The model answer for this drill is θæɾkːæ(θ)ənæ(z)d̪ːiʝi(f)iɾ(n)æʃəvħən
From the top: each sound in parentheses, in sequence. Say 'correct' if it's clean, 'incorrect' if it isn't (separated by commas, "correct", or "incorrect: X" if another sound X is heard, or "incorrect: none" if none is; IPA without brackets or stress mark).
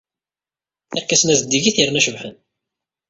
incorrect: s, correct, incorrect: θ, correct